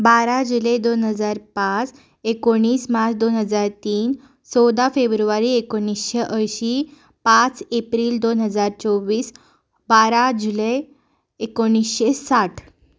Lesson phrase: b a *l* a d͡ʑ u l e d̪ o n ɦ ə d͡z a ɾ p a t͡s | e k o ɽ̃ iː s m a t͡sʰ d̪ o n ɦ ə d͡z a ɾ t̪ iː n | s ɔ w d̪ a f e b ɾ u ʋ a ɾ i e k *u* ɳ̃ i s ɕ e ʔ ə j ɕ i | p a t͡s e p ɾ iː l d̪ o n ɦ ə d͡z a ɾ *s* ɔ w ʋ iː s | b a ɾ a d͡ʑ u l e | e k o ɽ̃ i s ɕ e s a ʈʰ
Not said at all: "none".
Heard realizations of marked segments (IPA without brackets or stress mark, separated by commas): ɾ, o, t͡s